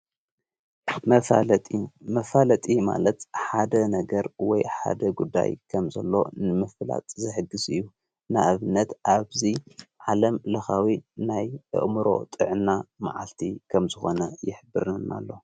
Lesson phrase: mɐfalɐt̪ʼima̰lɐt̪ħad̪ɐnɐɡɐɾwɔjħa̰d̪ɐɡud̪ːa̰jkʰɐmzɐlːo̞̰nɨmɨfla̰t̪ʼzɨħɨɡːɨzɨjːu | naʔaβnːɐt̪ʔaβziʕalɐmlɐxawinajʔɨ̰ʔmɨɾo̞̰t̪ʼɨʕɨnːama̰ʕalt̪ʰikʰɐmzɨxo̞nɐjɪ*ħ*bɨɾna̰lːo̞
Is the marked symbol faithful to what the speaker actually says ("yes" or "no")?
yes